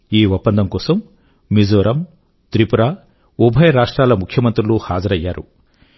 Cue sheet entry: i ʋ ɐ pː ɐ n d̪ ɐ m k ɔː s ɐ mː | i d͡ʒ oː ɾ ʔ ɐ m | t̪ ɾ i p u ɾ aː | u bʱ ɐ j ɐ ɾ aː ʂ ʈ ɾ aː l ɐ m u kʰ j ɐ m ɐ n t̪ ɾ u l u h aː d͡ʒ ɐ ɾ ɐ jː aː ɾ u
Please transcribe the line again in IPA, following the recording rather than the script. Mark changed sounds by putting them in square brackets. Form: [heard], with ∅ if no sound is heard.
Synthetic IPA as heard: [iː] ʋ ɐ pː ɐ n d̪ ɐ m k ɔː s ɐ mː | i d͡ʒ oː ɾ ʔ ɐ m | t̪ ɾ i p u ɾ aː | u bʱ ɐ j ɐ ɾ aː ʂ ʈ ɾ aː l ɐ m u kʰ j ɐ m ɐ n t̪ ɾ u l u h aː d͡ʒ ɐ ɾ ɐ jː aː ɾ u